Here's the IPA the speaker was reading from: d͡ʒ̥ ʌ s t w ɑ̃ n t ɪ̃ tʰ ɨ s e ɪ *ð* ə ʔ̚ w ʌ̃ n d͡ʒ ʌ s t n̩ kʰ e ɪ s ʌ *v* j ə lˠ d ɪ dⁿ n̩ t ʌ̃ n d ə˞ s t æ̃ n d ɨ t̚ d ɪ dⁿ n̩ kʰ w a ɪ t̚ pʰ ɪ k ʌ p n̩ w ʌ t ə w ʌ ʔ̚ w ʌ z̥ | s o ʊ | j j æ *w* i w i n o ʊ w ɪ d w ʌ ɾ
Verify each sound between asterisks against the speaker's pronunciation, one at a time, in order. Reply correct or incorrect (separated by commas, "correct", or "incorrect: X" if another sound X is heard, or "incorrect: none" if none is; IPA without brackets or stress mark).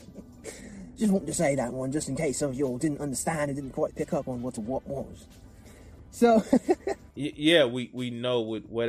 correct, correct, correct